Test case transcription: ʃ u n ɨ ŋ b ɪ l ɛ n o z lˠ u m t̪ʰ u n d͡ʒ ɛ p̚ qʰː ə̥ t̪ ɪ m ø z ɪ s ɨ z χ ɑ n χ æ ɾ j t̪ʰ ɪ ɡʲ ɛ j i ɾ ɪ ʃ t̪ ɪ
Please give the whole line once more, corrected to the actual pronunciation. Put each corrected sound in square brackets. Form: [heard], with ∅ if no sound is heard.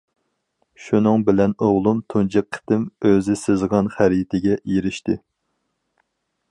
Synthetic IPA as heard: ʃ u n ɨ ŋ b ɪ l ɛ n o [ʁ] lˠ u m t̪ʰ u n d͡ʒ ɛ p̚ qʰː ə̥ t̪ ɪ m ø z ɪ s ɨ z [ʁ] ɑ n χ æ ɾ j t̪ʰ ɪ ɡʲ ɛ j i ɾ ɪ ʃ t̪ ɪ